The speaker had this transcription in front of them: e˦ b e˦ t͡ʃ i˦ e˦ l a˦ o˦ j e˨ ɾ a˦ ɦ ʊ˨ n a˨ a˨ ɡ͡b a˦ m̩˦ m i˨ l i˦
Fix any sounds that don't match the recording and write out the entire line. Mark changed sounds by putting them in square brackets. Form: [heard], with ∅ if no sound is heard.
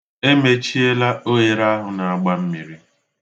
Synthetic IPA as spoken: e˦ [m] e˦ t͡ʃ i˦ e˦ l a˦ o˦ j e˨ ɾ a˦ ɦ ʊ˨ n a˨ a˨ ɡ͡b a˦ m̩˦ m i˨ [ɾ] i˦